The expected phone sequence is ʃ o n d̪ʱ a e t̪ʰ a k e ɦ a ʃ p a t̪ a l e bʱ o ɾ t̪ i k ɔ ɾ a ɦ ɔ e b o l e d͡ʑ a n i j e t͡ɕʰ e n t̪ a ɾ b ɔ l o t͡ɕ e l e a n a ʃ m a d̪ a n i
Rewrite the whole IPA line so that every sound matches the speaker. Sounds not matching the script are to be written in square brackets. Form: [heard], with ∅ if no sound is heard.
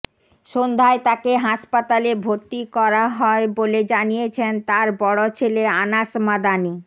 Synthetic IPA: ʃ o n d̪ʱ a e [t̪] a k e ɦ a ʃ p a t̪ a l e bʱ o ɾ t̪ i k ɔ ɾ a ɦ ɔ e b o l e d͡ʑ a n i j e t͡ɕʰ e n t̪ a ɾ b ɔ [ɽ] o [t͡ɕʰ] e l e a n a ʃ m a d̪ a n i